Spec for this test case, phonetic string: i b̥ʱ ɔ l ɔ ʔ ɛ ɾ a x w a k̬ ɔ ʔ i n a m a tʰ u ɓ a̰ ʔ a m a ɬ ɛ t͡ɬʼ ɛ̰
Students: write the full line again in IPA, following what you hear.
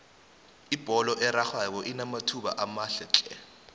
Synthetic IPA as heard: i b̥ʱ ɔ l ɔ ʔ ɛ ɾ a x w a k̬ ɔ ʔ i n a m a tʰ u ɓ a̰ ʔ a m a ɬ ɛ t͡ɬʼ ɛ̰